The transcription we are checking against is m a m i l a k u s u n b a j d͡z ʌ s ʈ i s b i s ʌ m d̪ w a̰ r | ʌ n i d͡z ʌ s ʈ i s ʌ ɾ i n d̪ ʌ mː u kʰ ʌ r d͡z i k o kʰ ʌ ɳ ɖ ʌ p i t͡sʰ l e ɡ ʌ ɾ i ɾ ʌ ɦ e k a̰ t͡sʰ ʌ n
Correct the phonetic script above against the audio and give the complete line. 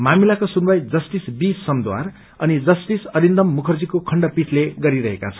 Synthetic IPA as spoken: m a m i l a k o s u n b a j d͡z ʌ s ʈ i s b i s ʌ m d̪ w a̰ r | ʌ n i d͡z ʌ s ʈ i s ʌ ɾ i n d̪ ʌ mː u kʰ ʌ r d͡z i k o kʰ ʌ ɳ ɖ ʌ p i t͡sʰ l e ɡ ʌ ɾ i ɾ ʌ ɦ e k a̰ t͡sʰ ʌ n